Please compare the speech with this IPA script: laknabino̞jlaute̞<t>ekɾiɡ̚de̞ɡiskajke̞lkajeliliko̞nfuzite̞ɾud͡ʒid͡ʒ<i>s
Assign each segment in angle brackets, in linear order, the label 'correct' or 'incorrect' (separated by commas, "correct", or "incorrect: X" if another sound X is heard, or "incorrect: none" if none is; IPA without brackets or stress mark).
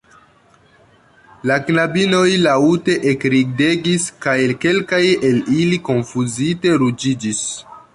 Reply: incorrect: ʔ, correct